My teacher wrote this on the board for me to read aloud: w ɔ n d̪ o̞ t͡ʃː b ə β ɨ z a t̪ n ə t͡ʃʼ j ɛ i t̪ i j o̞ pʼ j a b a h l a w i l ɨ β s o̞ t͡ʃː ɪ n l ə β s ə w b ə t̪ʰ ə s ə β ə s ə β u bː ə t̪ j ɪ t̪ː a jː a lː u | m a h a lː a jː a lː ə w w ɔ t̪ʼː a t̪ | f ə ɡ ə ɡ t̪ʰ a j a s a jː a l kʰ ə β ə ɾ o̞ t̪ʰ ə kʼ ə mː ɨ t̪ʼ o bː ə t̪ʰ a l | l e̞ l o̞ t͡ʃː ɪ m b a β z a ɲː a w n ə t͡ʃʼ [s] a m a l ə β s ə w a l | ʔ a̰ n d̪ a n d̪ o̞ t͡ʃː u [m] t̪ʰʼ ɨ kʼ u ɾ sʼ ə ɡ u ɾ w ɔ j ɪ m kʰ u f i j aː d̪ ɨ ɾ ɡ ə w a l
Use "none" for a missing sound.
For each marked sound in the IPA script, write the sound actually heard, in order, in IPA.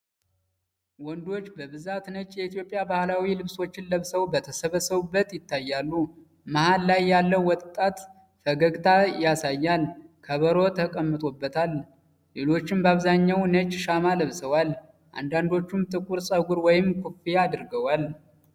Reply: ʃ, m

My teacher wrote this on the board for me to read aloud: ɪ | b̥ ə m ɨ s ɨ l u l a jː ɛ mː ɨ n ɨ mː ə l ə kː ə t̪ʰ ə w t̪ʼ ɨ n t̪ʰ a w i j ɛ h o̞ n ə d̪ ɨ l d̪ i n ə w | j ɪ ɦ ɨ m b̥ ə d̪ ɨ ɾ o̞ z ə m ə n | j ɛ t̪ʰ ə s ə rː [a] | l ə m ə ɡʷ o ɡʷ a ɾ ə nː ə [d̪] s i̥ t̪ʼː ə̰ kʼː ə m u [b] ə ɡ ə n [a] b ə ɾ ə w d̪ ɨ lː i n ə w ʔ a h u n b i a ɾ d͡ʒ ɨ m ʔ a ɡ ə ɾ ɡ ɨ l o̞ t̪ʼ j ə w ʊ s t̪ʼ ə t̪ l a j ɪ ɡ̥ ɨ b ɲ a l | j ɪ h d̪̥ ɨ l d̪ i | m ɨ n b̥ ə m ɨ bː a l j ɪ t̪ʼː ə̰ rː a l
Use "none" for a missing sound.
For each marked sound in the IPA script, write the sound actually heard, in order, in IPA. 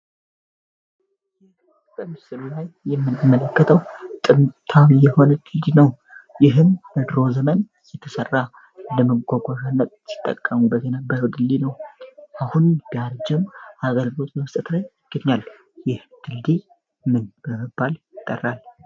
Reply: a, t̪, b, a

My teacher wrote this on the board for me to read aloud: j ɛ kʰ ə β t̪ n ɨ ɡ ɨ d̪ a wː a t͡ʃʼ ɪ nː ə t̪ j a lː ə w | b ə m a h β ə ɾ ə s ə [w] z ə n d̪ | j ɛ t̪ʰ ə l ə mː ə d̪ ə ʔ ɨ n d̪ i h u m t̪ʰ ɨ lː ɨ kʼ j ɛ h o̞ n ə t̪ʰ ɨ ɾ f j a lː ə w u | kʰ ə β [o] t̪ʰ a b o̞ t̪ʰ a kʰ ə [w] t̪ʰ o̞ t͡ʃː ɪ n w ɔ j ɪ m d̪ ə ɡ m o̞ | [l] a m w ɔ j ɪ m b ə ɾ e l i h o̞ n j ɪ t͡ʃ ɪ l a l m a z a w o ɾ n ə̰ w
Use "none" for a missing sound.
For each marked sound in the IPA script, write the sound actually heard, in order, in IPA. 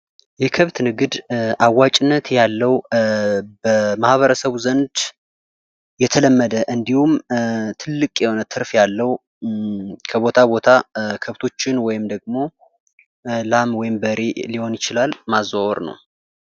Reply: β, o, β, l

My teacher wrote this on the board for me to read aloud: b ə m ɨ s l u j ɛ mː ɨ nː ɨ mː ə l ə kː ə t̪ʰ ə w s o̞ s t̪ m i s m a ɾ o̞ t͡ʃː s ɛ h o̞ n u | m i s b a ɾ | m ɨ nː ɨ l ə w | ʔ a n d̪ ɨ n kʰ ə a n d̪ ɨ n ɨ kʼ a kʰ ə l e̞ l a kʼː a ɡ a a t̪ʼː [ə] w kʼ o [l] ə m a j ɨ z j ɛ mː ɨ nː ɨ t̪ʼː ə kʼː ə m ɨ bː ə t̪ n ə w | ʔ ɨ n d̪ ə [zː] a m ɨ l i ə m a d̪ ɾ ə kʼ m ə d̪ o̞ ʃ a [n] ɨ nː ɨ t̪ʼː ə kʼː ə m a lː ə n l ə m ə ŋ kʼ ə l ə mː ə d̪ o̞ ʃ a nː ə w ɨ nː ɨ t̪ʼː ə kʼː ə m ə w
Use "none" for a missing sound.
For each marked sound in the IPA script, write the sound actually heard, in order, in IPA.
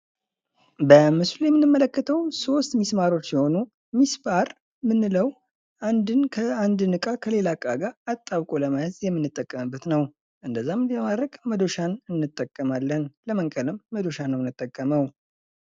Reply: a, l, zː, n

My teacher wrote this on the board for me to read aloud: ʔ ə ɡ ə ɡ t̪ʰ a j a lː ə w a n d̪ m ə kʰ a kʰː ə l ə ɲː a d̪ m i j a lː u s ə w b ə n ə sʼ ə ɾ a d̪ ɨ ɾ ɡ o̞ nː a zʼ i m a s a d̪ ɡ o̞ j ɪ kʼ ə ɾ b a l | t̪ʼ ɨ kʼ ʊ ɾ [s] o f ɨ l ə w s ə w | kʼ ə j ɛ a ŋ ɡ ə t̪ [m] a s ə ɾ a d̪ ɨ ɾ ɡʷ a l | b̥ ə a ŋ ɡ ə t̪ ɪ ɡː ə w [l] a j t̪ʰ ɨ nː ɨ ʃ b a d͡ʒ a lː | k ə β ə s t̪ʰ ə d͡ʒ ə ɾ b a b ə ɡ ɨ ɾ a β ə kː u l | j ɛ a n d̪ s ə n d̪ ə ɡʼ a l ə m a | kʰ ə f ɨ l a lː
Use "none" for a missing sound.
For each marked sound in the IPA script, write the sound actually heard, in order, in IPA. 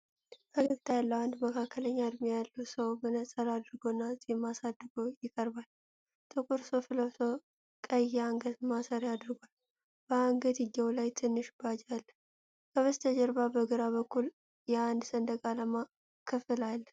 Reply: s, m, l

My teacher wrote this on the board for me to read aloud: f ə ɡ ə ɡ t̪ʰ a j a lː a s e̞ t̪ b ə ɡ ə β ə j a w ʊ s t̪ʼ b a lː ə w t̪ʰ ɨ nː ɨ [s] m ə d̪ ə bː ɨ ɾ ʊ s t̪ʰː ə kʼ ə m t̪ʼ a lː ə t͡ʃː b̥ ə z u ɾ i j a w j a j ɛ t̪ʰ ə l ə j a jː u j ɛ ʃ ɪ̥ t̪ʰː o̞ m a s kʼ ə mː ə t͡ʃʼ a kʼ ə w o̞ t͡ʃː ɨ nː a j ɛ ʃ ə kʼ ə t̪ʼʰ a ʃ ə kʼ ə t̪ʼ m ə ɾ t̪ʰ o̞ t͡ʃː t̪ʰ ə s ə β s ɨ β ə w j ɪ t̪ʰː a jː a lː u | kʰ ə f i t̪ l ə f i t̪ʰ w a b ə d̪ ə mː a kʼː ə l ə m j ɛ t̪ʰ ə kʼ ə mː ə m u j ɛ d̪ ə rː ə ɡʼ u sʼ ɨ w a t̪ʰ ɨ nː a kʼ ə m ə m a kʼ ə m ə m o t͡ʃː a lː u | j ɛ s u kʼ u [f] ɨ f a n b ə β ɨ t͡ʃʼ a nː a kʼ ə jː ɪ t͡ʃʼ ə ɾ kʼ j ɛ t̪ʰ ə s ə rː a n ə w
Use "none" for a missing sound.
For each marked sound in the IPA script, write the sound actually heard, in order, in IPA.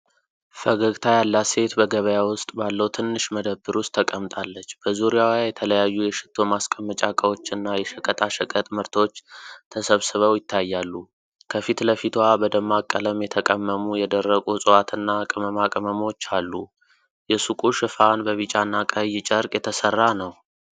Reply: ʃ, ʃ

